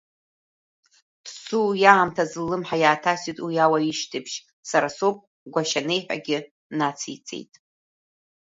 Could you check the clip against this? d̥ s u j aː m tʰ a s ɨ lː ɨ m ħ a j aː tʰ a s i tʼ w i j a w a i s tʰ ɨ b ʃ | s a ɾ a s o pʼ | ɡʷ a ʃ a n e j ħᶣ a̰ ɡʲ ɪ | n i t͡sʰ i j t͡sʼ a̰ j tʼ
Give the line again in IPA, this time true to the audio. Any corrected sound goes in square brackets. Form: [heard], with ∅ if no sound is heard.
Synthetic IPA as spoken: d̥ s u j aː m tʰ a [z] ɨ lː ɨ m ħ a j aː tʰ a s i tʼ w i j a w a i [ʃ] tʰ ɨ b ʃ | s a ɾ a s o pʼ | ɡʷ a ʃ a n e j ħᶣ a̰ ɡʲ ɪ | n [a] t͡sʰ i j t͡sʼ [ḛ] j tʼ

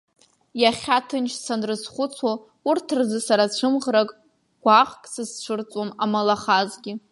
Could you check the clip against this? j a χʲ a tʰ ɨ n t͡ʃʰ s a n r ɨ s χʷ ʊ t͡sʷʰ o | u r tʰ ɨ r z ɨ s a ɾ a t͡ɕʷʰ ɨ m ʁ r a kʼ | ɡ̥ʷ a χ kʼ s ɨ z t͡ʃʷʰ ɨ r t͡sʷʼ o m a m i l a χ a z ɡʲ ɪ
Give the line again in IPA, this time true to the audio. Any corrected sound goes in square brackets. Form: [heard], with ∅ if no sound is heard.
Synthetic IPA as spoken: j a χʲ a tʰ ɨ n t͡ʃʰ s a n r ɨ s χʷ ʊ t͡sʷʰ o | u r tʰ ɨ r z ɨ s a ɾ a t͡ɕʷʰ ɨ m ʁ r a kʼ | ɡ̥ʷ a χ kʼ s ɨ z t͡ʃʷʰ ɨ r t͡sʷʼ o m a m [a] l a χ a z ɡʲ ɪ

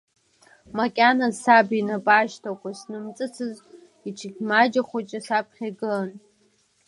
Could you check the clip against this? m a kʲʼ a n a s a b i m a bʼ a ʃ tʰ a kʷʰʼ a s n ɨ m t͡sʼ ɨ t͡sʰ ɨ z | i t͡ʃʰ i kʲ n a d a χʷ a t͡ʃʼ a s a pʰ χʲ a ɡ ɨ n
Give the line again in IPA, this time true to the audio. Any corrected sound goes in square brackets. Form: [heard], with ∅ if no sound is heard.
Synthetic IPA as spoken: m a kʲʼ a n a s a b i [n] a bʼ a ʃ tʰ a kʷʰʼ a s n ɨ m t͡sʼ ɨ t͡sʰ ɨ z | i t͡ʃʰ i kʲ [m] a [d͡ʒ] a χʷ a t͡ʃʼ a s a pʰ χʲ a ɡ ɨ n

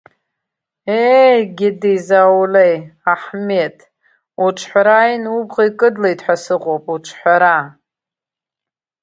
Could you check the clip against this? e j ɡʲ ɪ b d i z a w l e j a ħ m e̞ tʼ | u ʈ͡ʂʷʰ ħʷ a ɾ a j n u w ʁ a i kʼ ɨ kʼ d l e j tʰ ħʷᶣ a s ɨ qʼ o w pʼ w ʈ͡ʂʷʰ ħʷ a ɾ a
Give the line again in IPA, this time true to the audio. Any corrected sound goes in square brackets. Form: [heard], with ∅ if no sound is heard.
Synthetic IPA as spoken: e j ɡʲ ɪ [∅] d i z a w l e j a ħ m e̞ tʼ | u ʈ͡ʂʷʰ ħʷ a ɾ a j n u [b] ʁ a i kʼ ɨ [∅] d l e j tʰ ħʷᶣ a s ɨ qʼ o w pʼ [u] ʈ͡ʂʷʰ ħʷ a ɾ a

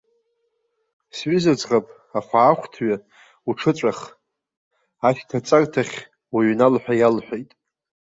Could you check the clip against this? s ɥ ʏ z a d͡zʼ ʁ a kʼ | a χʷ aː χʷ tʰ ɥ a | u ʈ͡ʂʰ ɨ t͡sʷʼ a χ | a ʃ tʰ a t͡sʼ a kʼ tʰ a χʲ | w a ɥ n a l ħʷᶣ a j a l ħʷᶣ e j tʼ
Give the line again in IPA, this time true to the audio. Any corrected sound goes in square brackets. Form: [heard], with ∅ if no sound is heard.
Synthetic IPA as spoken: s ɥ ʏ z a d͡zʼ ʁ a [pʼ] | a χʷ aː χʷ tʰ ɥ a | u ʈ͡ʂʰ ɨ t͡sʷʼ a χ | a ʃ tʰ a t͡sʼ a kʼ tʰ a χʲ | w a ɥ n a l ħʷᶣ a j a l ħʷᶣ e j tʼ

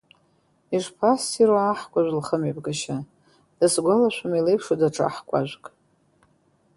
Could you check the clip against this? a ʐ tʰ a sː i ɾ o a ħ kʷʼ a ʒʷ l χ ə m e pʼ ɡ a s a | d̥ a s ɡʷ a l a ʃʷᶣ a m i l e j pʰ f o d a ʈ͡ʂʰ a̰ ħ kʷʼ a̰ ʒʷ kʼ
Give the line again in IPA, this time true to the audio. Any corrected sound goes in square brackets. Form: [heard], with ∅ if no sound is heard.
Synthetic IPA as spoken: [i] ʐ [pʰ] a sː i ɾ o a ħ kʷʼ a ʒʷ l χ ə m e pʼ ɡ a [ʃ] a | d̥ a s ɡʷ a l a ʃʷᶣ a m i l e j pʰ [ʂ] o d a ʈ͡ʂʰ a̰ ħ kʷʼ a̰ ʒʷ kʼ

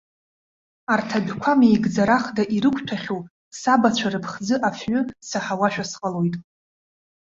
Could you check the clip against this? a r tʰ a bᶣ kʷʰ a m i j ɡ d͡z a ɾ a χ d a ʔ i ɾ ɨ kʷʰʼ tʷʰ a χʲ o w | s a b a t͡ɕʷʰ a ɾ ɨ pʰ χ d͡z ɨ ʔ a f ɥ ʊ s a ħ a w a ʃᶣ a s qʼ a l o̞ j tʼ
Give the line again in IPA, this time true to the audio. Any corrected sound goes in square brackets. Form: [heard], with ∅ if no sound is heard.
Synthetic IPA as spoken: a r tʰ a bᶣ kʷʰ a m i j ɡ d͡z a ɾ a χ d a ʔ i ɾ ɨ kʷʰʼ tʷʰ a χʲ o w | s a b a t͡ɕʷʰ a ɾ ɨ pʰ χ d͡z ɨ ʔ a f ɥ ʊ s a ħ a w a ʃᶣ a s qʼ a l o̞ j tʼ

